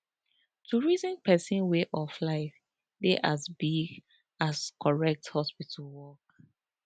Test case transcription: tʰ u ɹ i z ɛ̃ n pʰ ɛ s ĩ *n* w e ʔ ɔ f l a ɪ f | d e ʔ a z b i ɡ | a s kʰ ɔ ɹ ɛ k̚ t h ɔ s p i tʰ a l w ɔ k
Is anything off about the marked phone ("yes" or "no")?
no